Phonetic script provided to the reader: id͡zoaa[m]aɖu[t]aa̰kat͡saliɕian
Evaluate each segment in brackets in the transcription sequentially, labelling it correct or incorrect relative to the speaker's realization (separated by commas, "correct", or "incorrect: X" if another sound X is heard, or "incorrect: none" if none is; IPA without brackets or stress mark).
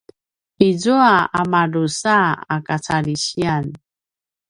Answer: correct, incorrect: s